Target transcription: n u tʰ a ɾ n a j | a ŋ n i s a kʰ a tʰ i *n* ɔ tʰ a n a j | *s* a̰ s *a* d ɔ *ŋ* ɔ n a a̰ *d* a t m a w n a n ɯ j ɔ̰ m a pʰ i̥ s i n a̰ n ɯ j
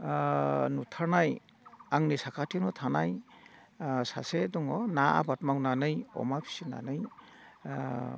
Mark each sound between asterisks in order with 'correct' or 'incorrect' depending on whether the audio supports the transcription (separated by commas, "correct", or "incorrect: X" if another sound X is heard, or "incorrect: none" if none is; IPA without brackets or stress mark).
correct, correct, incorrect: e, correct, incorrect: b